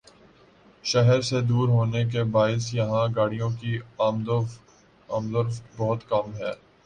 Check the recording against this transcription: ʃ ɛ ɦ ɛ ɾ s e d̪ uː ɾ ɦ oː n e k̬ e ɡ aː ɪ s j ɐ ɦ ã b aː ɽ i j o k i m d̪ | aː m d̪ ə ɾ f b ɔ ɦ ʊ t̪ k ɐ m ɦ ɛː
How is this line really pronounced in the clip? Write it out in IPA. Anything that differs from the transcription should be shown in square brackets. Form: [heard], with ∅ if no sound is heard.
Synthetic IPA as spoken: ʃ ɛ ɦ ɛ ɾ s e d̪ uː ɾ ɦ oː n e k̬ e [b] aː ɪ s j ɐ ɦ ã [ɡ] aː ɽ i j [õ] k i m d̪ | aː m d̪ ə ɾ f b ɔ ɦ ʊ t̪ k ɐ m ɦ ɛː